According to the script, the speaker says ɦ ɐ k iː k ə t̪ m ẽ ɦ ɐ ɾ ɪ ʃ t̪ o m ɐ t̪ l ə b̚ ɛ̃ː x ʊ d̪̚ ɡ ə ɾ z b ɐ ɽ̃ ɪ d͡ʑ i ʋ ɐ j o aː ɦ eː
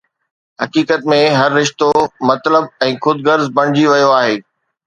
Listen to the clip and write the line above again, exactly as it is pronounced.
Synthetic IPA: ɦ ɐ k iː k ə t̪ m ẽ ɦ ɐ ɾː ɪ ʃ t̪ o m ɐ t̪ l ə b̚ ɛ̃ː x ʊ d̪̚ ɡ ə ɾ z b ɐ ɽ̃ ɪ d͡ʑ i ʋ ɐ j o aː ɦ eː